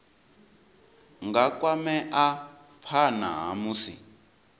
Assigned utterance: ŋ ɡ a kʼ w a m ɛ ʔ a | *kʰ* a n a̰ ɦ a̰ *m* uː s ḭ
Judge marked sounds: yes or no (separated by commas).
no, yes